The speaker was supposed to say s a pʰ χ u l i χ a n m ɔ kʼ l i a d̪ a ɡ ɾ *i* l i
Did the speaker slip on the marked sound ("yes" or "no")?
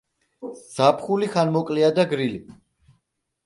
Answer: no